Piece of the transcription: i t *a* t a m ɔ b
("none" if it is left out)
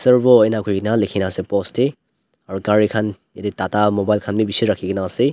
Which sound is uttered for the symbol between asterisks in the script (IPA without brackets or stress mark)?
a